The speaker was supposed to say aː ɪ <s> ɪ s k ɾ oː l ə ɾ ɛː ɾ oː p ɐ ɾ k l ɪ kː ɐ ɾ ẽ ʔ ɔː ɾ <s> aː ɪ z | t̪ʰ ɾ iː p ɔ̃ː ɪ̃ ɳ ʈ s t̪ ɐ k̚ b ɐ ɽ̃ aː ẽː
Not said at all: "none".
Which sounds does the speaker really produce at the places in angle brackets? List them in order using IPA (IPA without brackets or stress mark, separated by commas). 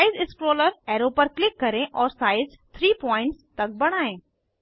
z, s